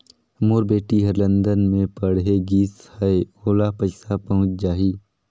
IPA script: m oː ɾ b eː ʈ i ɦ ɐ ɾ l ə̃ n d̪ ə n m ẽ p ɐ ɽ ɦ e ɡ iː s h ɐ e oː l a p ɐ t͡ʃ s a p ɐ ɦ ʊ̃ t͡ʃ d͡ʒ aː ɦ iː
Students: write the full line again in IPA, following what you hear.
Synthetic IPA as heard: m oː ɾ b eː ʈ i ɦ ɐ ɾ l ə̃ n d̪ ə n m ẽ p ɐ ɽ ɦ e ɡ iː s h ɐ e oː l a p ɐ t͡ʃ s a p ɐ ɦ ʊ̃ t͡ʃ d͡ʒ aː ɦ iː